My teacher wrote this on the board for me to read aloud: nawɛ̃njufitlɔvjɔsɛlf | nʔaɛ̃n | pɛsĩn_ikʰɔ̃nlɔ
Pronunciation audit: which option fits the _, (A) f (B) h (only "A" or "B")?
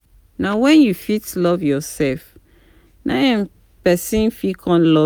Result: A